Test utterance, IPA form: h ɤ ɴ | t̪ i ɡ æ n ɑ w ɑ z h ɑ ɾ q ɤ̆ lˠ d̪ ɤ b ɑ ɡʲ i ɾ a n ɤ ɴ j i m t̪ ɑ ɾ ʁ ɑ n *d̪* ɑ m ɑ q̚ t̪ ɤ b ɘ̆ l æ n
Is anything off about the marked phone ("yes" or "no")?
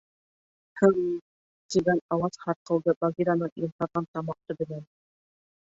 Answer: yes